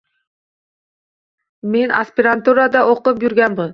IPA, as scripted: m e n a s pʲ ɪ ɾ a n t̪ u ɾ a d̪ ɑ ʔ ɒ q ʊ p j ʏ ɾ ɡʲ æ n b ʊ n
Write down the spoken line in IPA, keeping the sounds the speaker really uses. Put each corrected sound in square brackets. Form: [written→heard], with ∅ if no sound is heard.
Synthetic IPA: m e n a s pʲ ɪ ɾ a n t̪ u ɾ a d̪ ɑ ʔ [ɒ→o] q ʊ p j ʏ ɾ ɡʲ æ n b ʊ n